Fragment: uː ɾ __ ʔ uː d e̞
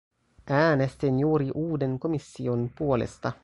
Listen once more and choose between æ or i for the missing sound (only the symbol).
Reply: i